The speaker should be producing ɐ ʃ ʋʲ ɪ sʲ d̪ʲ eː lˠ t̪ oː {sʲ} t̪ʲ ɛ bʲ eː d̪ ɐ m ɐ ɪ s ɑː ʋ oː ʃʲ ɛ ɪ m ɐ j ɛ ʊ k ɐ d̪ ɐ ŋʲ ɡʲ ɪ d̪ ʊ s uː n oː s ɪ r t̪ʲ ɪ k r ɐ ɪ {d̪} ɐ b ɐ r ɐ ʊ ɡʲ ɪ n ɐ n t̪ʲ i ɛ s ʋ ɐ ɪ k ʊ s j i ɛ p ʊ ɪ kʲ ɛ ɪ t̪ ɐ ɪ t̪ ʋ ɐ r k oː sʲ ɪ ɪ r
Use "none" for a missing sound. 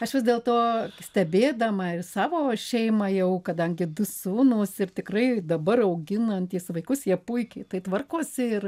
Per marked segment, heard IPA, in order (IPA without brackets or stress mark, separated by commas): sʲ, d̪